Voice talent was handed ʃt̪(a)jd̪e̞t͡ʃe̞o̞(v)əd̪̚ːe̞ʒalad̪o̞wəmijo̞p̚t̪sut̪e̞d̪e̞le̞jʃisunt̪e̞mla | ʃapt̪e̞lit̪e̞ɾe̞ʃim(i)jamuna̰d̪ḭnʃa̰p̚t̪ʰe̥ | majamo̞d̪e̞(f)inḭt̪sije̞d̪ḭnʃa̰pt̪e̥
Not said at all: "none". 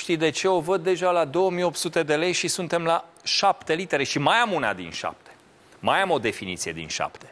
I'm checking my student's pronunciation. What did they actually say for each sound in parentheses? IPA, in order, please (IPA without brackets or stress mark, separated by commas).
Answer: i, v, a, f